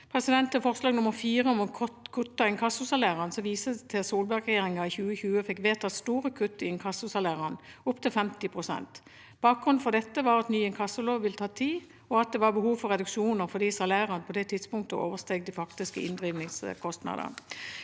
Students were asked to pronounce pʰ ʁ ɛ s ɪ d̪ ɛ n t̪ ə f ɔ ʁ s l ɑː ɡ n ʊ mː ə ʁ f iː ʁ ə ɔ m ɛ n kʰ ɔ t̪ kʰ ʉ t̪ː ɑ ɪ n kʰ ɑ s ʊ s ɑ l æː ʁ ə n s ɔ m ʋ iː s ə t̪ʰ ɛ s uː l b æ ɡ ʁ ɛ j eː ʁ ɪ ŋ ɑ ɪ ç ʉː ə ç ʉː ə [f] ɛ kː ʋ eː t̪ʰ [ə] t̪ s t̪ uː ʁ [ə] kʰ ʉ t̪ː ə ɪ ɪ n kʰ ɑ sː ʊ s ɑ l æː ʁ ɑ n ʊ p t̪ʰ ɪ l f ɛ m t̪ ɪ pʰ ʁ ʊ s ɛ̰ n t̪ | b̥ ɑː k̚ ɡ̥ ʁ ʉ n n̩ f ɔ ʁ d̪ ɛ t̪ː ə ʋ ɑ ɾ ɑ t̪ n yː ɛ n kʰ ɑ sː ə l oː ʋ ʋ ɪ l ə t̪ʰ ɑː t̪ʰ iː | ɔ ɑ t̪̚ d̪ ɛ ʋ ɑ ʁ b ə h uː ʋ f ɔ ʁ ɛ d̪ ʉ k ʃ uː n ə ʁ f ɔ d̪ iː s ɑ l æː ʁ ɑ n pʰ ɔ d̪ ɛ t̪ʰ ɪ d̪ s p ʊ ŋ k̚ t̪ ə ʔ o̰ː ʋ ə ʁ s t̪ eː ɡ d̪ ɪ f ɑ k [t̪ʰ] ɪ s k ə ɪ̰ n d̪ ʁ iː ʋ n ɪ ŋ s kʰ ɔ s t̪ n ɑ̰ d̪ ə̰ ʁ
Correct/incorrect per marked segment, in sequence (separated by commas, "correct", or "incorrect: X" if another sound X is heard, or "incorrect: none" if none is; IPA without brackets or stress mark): correct, incorrect: ɑ, correct, incorrect: t̪